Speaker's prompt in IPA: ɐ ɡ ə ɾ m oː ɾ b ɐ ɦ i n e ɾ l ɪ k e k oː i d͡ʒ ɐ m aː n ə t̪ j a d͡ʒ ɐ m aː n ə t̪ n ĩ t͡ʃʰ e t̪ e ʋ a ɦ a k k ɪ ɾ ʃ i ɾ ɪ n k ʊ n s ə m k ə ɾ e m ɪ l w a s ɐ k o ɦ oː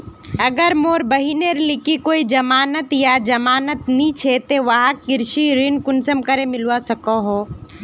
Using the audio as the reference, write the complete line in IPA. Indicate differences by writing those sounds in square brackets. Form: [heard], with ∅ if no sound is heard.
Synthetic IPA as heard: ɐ ɡ ə ɾ m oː ɾ b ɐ ɦ i n e ɾ l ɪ k [i] k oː i d͡ʒ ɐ m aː n ə t̪ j a d͡ʒ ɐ m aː n ə t̪ n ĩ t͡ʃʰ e t̪ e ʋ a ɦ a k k ɪ ɾ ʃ i ɾ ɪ n k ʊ n s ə m k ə ɾ e m ɪ l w a s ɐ k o ɦ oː